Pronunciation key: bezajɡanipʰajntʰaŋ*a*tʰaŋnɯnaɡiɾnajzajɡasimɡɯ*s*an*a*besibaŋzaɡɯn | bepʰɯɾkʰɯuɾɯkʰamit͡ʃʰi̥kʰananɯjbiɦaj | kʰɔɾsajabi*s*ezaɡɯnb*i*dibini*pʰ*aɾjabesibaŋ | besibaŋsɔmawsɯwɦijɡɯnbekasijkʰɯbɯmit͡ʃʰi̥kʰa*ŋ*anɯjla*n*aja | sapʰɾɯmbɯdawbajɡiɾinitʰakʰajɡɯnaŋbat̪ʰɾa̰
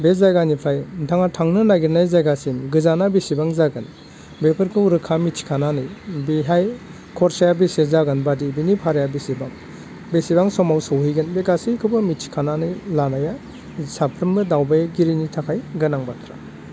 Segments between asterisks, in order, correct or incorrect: correct, incorrect, correct, correct, incorrect, correct, incorrect, correct

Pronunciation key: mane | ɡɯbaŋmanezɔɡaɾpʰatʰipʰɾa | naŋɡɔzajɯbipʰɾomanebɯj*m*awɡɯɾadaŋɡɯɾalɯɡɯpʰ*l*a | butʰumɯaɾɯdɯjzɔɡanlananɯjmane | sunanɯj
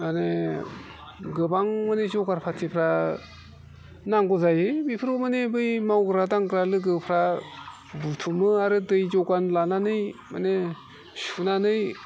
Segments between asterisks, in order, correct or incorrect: correct, incorrect

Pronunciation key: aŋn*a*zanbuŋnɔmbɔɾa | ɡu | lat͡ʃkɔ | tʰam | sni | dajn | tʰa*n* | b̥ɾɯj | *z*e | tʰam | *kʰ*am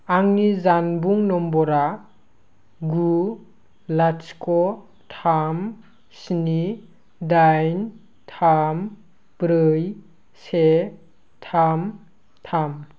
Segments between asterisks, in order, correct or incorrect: incorrect, incorrect, incorrect, incorrect

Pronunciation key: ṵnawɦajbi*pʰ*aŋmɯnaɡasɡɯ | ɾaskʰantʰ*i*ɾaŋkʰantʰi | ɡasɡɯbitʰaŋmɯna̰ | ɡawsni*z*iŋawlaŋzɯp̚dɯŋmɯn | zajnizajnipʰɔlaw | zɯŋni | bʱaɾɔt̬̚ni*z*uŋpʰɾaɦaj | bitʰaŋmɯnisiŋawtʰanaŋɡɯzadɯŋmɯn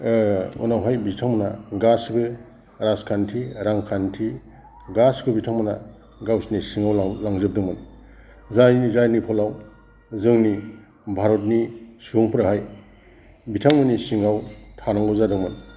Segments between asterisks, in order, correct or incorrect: incorrect, correct, incorrect, incorrect

